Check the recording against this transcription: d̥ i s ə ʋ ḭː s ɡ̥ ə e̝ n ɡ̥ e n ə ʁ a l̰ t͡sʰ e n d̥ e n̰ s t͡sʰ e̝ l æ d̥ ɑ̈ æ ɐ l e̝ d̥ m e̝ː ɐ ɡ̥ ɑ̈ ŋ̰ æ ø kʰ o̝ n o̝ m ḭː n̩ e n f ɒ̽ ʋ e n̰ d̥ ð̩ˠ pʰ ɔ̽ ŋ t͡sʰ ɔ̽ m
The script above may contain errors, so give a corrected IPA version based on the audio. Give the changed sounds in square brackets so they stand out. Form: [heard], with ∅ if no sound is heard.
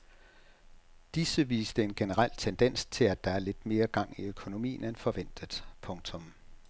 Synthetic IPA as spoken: d̥ i s ə ʋ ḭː s [d̥] ə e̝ n ɡ̥ e n ə ʁ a l̰ t͡sʰ e n d̥ e n̰ s t͡sʰ e̝ l æ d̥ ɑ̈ æ ɐ l e̝ d̥ m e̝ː ɐ ɡ̥ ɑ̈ ŋ̰ [i] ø kʰ o̝ n o̝ m ḭː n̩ e n f ɒ̽ ʋ e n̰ d̥ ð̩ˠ pʰ ɔ̽ ŋ t͡sʰ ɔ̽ m